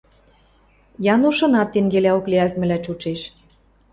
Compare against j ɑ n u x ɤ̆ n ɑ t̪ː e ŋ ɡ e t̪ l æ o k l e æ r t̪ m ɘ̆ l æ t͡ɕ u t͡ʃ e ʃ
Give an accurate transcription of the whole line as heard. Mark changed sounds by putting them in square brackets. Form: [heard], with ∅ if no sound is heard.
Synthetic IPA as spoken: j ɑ n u [ʃ] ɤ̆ n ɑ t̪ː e ŋ ɡ e [∅] l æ o k l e æ [l] t̪ m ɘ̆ l æ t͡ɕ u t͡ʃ e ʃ